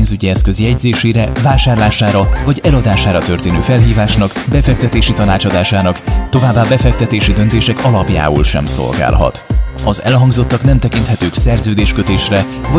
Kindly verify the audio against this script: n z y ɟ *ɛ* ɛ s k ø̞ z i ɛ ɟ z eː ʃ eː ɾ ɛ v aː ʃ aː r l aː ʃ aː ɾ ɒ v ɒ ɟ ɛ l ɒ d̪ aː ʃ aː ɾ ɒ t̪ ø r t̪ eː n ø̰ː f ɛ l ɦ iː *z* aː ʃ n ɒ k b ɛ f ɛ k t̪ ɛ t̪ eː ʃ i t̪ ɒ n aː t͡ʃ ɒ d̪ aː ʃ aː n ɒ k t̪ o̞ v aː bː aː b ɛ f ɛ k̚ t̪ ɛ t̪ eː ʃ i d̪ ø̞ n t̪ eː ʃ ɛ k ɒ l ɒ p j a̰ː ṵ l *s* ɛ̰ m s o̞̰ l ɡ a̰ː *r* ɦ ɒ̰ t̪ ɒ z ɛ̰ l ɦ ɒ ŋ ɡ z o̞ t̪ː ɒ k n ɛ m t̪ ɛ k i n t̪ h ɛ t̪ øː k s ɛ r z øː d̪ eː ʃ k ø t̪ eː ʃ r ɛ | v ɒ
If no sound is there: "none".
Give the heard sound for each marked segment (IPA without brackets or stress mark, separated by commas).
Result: i, v, ʃ, l